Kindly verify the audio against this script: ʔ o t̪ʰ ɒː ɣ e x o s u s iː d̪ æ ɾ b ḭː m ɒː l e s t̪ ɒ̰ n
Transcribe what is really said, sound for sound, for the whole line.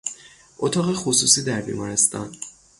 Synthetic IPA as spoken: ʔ o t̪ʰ ɒː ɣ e x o s u s iː d̪ æ ɾ b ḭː m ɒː ɾ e s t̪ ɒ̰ n